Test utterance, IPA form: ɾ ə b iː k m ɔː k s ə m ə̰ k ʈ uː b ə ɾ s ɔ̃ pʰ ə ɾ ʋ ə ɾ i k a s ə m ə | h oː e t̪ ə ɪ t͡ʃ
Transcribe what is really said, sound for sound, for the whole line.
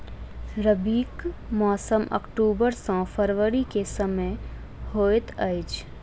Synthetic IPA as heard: ɾ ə b iː k m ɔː s ə m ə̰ k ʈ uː b ə ɾ s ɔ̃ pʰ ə ɾ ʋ ə ɾ i k e s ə m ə | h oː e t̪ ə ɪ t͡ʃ